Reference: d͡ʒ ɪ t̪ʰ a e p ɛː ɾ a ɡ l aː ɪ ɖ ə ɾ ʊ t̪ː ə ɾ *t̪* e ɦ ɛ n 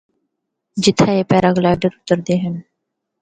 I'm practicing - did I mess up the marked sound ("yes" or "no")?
yes